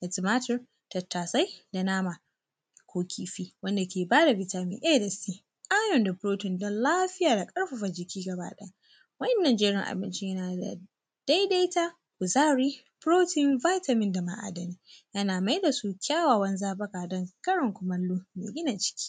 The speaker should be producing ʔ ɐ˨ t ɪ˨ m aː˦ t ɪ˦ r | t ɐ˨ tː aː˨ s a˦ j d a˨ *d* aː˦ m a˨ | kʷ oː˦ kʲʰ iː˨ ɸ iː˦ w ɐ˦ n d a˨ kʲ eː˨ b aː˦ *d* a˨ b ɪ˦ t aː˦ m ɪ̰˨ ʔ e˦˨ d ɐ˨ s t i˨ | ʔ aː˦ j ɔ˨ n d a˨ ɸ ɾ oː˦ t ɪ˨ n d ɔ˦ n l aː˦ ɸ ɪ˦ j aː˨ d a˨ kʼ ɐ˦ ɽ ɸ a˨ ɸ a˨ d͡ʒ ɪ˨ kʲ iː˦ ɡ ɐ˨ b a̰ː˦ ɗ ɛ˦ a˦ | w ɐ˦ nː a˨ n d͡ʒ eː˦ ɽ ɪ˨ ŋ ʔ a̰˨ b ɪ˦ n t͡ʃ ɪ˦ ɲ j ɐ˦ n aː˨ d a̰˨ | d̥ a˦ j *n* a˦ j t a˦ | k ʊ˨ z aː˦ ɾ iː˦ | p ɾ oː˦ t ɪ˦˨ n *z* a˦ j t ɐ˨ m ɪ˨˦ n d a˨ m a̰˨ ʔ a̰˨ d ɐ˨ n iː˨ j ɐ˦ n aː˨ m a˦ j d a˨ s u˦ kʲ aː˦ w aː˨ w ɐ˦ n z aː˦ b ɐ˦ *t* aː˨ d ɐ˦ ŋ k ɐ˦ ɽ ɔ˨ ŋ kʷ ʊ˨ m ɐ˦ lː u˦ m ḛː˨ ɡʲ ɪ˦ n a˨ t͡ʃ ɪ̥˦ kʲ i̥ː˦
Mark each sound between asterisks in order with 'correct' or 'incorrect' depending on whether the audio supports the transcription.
incorrect: n, correct, incorrect: d, incorrect: v, incorrect: k

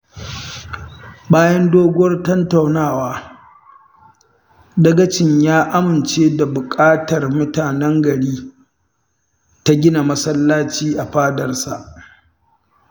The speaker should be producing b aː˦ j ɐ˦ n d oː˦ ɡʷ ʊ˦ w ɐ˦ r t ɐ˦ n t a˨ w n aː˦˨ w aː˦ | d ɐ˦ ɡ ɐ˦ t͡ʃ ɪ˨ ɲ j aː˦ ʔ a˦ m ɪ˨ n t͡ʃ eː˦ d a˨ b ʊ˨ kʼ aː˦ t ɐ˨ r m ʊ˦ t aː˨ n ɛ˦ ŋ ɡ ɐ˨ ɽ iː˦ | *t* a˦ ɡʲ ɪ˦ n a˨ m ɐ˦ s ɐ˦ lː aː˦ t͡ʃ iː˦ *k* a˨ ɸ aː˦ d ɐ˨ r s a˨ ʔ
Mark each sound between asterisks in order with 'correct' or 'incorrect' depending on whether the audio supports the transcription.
correct, incorrect: ʔ

